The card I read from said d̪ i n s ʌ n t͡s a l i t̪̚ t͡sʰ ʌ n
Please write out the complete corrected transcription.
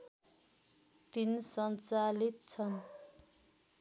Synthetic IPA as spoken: t̪ i n s ʌ n t͡s a l i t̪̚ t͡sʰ ʌ n